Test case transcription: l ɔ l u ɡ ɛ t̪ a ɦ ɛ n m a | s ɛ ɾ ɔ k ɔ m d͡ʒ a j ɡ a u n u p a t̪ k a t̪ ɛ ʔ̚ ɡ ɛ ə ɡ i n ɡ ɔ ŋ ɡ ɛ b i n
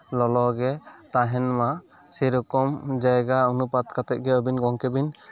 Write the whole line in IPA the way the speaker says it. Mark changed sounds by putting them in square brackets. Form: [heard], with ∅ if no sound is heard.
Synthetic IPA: l ɔ l [ɔ] ɡ ɛ t̪ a ɦ ɛ n m a | s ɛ ɾ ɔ k ɔ m d͡ʒ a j ɡ a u n u p a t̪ k a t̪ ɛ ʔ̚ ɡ ɛ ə [b] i n ɡ ɔ ŋ [k] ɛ b i n